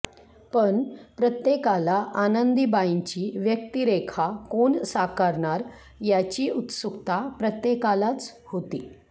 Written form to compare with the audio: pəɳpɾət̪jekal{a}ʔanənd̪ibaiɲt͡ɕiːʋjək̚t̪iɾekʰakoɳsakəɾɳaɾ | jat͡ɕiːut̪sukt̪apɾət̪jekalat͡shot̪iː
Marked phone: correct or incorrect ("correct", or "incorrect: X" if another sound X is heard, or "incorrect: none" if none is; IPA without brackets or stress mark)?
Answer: correct